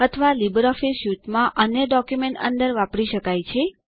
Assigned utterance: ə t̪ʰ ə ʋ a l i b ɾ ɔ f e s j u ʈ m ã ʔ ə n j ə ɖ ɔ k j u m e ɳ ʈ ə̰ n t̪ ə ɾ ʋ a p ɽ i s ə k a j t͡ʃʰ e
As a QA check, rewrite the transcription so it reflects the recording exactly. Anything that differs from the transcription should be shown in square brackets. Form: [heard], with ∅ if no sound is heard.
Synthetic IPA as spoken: ə t̪ʰ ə ʋ a l i b ɾ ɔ f [i] s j u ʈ m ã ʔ ə n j ə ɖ ɔ k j u m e ɳ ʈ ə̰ n [d̪] ə ɾ ʋ a p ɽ i [ʃ] ə k a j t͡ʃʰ e